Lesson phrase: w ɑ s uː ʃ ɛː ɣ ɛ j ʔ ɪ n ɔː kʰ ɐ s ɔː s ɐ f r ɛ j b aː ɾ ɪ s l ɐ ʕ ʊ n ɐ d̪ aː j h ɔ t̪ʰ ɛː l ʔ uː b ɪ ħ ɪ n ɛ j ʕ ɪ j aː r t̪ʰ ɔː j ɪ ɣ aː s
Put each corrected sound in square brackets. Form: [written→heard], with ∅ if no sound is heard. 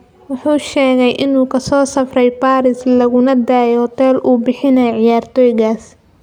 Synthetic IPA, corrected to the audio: w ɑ [s→ħ] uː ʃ ɛː ɣ ɛ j ʔ ɪ n [ɔː→uː] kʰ ɐ s ɔː s ɐ f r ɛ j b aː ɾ ɪ s l ɐ [ʕ→ɣ] ʊ n ɐ d̪ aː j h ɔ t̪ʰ ɛː l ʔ uː b ɪ ħ ɪ n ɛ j ʕ ɪ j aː r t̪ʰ ɔː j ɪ ɣ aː s